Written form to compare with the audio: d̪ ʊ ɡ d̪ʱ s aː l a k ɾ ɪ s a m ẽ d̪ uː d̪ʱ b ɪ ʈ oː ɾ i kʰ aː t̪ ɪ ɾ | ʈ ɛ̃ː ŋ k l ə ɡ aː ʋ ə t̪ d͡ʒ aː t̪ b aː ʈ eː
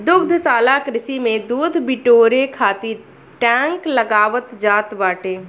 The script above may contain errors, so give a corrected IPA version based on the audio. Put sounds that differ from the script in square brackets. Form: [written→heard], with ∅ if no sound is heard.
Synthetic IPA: d̪ ʊ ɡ d̪ʱ s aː l a k ɾ ɪ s [a→i] m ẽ d̪ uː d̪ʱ b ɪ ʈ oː ɾ [i→e] kʰ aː t̪ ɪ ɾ | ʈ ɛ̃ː ŋ k l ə ɡ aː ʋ ə t̪ d͡ʒ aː t̪ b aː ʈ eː

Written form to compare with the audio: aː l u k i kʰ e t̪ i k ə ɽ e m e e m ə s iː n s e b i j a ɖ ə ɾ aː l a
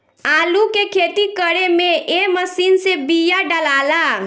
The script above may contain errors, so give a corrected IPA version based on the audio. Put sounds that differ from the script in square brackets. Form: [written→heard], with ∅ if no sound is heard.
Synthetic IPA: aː l u k [i→e] kʰ e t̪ i k ə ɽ e m e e m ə s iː n s e b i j a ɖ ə [ɾ→l] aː l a

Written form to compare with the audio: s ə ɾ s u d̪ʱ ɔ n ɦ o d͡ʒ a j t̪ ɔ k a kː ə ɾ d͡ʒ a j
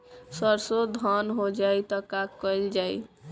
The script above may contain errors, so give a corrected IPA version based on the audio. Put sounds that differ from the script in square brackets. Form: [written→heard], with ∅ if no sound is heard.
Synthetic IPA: s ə ɾ s [u→o] d̪ʱ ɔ n ɦ o d͡ʒ a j t̪ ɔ k a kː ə [ɾ→l] d͡ʒ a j

